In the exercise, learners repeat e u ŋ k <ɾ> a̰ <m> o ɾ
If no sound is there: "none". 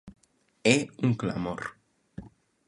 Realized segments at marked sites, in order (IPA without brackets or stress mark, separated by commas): l, m